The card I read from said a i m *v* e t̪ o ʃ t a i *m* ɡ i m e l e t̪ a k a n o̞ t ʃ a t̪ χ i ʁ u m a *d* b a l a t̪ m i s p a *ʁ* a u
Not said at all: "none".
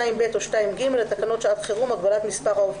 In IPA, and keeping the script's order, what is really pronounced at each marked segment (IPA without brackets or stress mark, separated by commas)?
b, m, ɡ, ʁ